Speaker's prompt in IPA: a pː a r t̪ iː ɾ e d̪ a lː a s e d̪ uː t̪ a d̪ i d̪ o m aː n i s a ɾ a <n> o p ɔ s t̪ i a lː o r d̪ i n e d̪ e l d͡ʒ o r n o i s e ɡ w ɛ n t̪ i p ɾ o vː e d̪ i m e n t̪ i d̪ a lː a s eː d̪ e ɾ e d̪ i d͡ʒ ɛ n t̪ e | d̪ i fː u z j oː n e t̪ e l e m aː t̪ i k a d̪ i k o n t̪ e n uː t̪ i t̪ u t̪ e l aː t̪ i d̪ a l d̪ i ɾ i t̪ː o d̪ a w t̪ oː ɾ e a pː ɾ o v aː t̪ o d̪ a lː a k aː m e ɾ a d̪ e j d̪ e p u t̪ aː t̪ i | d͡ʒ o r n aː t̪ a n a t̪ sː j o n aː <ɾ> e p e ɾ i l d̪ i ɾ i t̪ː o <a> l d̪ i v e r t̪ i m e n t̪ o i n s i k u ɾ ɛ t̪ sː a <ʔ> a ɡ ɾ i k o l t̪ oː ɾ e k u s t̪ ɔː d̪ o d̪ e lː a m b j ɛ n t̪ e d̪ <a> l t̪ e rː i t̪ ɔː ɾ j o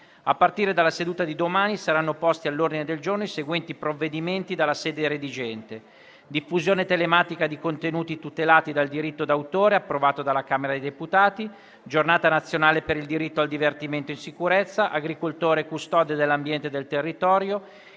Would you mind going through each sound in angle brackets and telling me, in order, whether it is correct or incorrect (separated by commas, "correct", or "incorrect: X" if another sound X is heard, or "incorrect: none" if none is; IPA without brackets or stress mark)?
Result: incorrect: nː, incorrect: l, correct, correct, incorrect: e